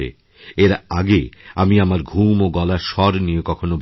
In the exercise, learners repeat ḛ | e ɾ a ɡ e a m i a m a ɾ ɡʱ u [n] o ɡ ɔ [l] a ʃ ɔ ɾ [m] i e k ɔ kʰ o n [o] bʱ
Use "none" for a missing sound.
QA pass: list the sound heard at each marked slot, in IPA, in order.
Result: m, l, n, o

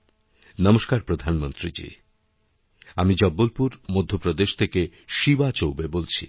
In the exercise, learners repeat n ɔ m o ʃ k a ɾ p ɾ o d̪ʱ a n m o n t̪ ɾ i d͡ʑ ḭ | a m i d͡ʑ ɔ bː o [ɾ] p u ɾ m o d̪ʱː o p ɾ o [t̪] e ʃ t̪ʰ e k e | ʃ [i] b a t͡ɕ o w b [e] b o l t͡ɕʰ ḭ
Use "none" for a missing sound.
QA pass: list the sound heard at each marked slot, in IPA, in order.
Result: l, d̪, i, e

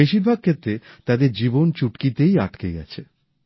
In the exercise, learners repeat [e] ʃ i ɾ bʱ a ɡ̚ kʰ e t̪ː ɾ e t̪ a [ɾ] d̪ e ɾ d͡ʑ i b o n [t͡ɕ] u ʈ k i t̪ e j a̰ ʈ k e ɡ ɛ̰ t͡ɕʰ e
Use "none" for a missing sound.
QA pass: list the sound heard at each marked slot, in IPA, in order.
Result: e, none, t͡ɕ

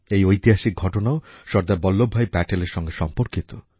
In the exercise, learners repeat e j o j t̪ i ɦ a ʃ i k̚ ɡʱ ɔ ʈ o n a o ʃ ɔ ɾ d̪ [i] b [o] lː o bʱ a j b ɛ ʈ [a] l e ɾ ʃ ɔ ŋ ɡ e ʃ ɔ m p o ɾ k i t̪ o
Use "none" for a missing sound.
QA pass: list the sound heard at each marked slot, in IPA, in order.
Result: a, ɔ, e

